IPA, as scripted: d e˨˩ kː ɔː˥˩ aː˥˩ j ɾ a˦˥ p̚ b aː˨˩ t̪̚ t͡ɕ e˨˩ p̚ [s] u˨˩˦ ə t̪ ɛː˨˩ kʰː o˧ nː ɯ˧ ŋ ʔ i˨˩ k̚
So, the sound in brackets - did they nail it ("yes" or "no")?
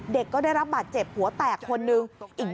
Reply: no